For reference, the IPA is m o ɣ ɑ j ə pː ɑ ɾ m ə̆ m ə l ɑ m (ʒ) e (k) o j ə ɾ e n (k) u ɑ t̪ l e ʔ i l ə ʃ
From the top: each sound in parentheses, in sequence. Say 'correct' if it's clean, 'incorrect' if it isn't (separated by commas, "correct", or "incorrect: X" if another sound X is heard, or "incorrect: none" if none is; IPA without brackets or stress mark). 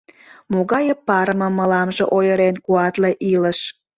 correct, incorrect: ʔ, correct